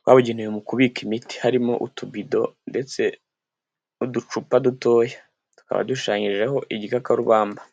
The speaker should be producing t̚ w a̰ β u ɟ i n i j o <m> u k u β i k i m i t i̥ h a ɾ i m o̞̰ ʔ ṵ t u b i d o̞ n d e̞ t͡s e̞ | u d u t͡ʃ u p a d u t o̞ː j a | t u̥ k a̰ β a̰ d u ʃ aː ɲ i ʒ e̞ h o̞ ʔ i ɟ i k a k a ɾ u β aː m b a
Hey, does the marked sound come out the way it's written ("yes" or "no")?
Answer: yes